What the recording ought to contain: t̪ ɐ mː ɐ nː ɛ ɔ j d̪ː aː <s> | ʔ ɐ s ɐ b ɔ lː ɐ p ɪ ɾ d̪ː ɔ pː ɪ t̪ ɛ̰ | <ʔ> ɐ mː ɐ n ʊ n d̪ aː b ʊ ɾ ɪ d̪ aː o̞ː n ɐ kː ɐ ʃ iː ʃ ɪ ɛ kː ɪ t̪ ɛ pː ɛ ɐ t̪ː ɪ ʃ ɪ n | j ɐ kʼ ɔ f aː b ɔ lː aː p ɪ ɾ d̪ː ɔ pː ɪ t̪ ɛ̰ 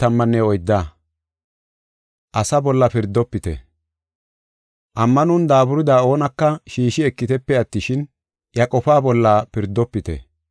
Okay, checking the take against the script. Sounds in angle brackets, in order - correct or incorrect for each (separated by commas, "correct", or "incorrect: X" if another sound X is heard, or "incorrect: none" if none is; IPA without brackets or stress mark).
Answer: incorrect: none, correct